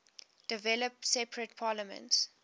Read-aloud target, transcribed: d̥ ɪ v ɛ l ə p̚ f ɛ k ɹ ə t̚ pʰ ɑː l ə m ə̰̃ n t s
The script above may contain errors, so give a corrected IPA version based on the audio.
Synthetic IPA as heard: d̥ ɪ v ɛ l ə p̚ s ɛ p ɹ ə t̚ pʰ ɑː l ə m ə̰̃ n t s